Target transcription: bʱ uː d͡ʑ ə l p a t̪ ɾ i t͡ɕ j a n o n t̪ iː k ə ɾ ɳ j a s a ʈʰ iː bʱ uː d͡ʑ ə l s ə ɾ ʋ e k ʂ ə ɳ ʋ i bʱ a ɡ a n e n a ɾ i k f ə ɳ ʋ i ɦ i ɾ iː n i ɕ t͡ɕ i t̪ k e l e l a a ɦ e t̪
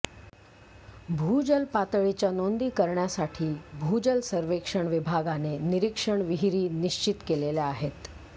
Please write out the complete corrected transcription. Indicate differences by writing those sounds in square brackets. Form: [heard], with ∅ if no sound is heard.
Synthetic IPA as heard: bʱ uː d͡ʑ ə l p a t̪ [ɭ] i t͡ɕ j a n o n [d̪] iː k ə ɾ ɳ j a s a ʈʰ iː bʱ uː d͡ʑ ə l s ə ɾ ʋ e k ʂ ə ɳ ʋ i bʱ a ɡ a n e n [i] ɾ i k [ʂ] ə ɳ ʋ i ɦ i ɾ iː n i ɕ t͡ɕ i t̪ k e l e l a a ɦ e t̪

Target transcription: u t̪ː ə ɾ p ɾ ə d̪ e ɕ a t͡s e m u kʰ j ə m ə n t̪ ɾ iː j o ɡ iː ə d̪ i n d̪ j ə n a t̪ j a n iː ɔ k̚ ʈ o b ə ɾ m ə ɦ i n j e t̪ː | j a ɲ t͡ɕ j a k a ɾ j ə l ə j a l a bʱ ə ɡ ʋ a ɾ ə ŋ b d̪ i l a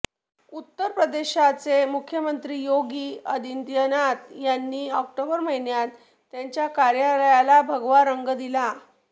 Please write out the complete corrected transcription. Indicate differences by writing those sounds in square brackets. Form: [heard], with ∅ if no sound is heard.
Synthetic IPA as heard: u t̪ː ə ɾ p ɾ ə d̪ e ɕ a t͡s e m u kʰ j ə m ə n t̪ ɾ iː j o ɡ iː ə d̪ i n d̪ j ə n a t̪ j a [nː] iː ɔ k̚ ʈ o b ə ɾ m ə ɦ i n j [a] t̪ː | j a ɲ t͡ɕ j a k a ɾ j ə l ə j a l a bʱ ə ɡ ʋ a ɾ ə ŋ [ɡ] d̪ i l a

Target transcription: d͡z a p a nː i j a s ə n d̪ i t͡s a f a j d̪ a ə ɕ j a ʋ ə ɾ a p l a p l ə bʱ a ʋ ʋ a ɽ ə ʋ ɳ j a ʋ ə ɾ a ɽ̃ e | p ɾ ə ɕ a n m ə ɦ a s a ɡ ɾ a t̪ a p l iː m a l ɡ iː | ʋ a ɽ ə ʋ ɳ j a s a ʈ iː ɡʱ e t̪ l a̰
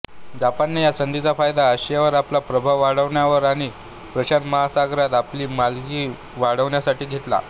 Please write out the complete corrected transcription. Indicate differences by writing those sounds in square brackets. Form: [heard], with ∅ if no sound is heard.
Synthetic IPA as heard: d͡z a p a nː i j a s ə n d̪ i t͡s a f a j d̪ a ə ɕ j a ʋ ə ɾ a p l a p [ɾ] ə bʱ a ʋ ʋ a ɽ ə ʋ ɳ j a ʋ ə ɾ a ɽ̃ [i] | p ɾ ə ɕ a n m ə ɦ a s a ɡ ɾ a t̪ a p l iː m a l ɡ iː | ʋ a ɽ ə ʋ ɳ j a s a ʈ iː ɡʱ e t̪ l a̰

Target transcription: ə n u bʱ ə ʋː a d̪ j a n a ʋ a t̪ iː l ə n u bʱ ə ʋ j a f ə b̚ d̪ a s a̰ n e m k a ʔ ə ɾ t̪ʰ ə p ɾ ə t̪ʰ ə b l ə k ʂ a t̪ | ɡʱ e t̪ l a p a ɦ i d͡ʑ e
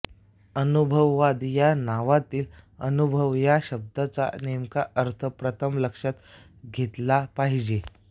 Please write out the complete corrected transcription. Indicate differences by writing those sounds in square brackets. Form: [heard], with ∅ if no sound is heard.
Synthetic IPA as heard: ə n u bʱ ə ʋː a d̪ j a n a ʋ a t̪ iː l ə n u bʱ ə ʋ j a [ɕ] ə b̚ d̪ a [t͡s] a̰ n e m k a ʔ ə ɾ t̪ʰ ə p ɾ ə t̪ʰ ə [m] l ə k ʂ a t̪ | ɡʱ e t̪ l a p a ɦ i d͡ʑ e

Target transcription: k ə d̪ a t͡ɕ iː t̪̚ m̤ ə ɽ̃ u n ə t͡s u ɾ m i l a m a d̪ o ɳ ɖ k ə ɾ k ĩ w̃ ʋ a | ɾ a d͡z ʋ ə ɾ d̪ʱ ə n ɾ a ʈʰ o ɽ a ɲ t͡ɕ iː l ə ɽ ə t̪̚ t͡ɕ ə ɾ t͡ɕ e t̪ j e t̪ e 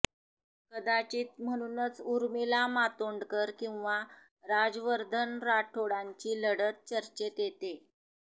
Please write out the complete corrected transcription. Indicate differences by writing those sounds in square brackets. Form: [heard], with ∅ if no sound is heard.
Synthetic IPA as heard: k ə d̪ a t͡ɕ iː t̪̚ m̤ ə ɽ̃ u n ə t͡s u ɾ m i l a m a [t̪] o ɳ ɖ k ə ɾ k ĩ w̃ ʋ a | ɾ a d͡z ʋ ə ɾ d̪ʱ ə n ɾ a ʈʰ o ɽ a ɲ t͡ɕ iː l ə ɽ ə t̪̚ t͡ɕ ə ɾ t͡ɕ e t̪ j e t̪ e

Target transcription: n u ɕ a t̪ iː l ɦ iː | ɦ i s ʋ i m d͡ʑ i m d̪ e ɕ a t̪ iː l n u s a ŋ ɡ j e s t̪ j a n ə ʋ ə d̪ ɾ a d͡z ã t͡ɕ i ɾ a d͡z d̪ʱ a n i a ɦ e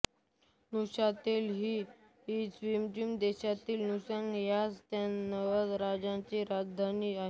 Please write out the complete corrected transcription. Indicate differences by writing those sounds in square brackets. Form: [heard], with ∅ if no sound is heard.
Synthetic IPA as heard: n u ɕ a t̪ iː l ɦ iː | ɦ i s ʋ i m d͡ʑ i m d̪ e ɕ a t̪ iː l n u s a ŋ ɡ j [a] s t̪ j a n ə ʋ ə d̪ ɾ a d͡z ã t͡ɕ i ɾ a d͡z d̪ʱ a n i a ɦ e

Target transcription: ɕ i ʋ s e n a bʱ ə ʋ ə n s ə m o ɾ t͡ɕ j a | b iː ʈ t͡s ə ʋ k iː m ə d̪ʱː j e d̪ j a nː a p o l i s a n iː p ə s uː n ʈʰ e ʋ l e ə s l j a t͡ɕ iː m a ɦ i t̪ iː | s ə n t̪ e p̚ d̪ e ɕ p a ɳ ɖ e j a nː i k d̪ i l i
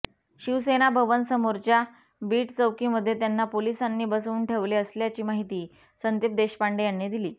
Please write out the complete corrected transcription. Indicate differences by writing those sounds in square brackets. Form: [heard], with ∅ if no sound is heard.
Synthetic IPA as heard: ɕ i ʋ s e n a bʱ ə ʋ ə n s ə m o ɾ t͡ɕ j a | b iː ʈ t͡s ə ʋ k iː m ə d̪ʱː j e [t̪] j a nː a p o l i s a [nː] iː [b] ə s uː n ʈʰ e ʋ l e ə s l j a t͡ɕ iː m a ɦ i t̪ iː | s ə n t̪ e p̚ d̪ e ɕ p a ɳ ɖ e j a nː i [∅] d̪ i l [iː]

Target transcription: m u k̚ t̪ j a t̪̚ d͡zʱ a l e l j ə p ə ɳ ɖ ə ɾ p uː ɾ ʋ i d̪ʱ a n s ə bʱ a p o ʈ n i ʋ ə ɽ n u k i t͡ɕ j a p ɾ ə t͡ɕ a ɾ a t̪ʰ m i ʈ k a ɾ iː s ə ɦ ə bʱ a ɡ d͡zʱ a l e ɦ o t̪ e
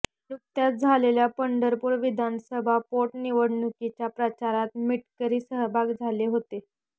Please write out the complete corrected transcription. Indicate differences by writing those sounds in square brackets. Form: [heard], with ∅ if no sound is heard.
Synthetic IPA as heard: [n] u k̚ t̪ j a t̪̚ d͡zʱ a l e l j [a] p ə ɳ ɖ ə ɾ p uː ɾ ʋ i d̪ʱ a n s ə bʱ a p o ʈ n i ʋ ə ɽ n u k i t͡ɕ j a p ɾ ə t͡ɕ a ɾ a [t̪] m i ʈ k [ə] ɾ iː s ə ɦ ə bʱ a ɡ d͡zʱ a l e ɦ o t̪ e

